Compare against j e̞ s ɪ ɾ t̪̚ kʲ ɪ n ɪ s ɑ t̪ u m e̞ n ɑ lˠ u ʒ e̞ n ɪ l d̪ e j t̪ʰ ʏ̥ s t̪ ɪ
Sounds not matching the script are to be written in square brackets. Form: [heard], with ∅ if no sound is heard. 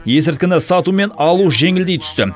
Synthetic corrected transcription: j e̞ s ɪ ɾ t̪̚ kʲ ɪ n ɪ s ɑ t̪ u m e̞ n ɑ lˠ u ʒ e̞ [ŋ] ɪ l d̪ e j t̪ʰ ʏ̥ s t̪ ɪ